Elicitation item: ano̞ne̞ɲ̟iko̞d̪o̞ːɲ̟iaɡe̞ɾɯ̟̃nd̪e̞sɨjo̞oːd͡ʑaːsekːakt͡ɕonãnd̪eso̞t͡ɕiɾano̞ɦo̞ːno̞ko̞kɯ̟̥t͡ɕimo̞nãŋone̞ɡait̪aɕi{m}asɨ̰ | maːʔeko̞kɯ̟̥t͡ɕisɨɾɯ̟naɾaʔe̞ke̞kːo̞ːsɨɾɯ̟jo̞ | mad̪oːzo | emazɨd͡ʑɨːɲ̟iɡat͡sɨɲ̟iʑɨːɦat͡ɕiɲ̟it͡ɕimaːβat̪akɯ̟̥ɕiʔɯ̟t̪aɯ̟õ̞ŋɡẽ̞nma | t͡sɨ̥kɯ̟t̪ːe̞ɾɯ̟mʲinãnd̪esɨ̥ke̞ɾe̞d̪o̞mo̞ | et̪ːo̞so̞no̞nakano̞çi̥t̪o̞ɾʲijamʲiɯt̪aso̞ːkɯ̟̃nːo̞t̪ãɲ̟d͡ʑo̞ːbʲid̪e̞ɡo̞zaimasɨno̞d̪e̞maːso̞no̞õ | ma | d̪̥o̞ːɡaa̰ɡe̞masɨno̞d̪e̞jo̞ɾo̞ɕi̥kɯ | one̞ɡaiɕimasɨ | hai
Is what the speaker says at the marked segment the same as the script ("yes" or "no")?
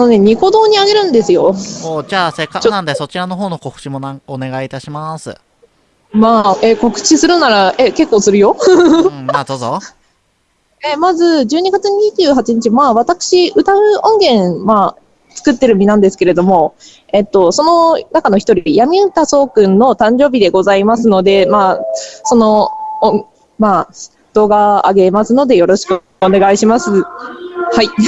yes